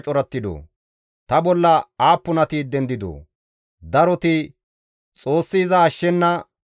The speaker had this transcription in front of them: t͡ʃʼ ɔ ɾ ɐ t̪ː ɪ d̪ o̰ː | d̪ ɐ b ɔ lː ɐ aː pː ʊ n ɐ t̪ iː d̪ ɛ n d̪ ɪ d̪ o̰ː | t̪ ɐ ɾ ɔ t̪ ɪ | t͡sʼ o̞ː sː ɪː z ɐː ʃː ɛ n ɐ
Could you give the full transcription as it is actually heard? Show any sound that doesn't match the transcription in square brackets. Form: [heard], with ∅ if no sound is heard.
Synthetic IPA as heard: t͡ʃʼ ɔ ɾ ɐ t̪ː ɪ d̪ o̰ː | [t̪] ɐ b ɔ lː ɐ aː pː ʊ n ɐ t̪ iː d̪ ɛ n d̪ ɪ d̪ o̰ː | [d̪] ɐ ɾ ɔ t̪ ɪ | t͡sʼ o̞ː sː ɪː z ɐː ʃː ɛ [nː] ɐ